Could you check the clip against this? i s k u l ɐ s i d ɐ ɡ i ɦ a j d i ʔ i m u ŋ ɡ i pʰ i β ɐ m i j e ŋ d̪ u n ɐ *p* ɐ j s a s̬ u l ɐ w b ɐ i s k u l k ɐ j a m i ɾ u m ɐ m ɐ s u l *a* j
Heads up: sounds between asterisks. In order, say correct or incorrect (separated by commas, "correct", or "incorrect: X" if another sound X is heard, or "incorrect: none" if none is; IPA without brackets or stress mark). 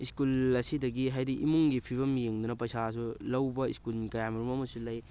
correct, incorrect: ɐ